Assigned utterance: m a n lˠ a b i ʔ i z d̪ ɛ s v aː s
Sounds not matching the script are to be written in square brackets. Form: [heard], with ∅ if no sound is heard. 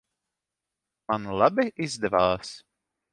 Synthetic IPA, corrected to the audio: m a n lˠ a b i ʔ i z d̪ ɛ [∅] v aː s